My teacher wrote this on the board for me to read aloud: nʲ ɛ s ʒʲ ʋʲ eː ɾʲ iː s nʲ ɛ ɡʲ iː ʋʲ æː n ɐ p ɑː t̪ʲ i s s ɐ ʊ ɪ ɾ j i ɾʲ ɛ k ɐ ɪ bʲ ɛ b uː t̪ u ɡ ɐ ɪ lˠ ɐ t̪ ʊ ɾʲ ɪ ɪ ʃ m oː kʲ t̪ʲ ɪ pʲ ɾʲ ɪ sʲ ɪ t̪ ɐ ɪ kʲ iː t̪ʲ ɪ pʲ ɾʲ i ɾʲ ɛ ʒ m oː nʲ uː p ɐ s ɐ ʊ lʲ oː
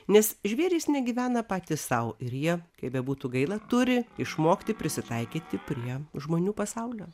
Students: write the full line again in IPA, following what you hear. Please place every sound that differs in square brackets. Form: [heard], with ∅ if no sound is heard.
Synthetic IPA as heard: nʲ ɛ s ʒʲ ʋʲ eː ɾʲ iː s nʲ ɛ ɡʲ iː ʋʲ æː n ɐ p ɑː t̪ʲ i s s ɐ ʊ ɪ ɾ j i [∅] ɛ k ɐ ɪ bʲ ɛ b uː t̪ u ɡ ɐ ɪ lˠ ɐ t̪ ʊ ɾʲ ɪ ɪ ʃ m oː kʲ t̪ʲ ɪ pʲ ɾʲ ɪ sʲ ɪ t̪ ɐ ɪ kʲ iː t̪ʲ ɪ pʲ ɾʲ i [∅] ɛ ʒ m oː nʲ uː p ɐ s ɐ ʊ lʲ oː